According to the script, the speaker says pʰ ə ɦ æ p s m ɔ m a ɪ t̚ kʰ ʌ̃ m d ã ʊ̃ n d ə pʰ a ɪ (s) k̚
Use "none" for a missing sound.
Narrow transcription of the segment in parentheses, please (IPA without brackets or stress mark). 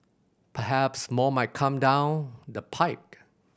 none